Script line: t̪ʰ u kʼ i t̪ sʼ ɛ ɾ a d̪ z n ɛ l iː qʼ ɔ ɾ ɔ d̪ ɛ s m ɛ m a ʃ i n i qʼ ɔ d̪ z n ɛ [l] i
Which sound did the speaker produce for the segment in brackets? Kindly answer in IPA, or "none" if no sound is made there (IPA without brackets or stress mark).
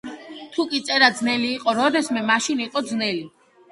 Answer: l